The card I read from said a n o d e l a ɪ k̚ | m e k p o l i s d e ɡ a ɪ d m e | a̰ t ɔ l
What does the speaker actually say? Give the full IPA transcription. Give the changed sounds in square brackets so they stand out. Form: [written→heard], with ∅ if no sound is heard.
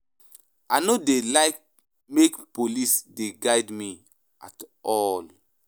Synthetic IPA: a n o d e l a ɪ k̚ | m e k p o l i s d e ɡ a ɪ d m [e→i] | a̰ t ɔ l